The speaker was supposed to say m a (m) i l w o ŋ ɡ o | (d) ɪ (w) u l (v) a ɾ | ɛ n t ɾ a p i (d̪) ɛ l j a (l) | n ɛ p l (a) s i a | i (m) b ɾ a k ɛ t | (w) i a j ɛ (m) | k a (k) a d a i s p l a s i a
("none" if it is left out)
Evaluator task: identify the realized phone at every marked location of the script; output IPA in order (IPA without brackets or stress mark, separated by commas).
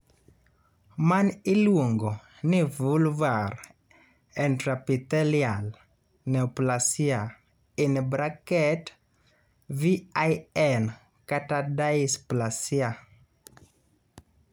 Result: n, n, v, v, t̪, l, a, n, v, n, t